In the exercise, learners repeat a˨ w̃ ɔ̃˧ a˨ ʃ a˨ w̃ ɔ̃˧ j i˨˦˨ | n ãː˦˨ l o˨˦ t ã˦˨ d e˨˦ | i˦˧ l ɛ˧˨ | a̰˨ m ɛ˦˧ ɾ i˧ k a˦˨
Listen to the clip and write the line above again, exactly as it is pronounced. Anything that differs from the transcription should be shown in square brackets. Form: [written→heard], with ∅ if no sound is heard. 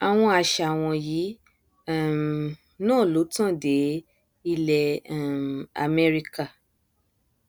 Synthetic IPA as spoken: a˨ w̃ ɔ̃˧ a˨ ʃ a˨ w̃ ɔ̃˧ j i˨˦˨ | n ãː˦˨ l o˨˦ t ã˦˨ d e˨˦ | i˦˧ l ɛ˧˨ | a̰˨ m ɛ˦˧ ɾ i˧ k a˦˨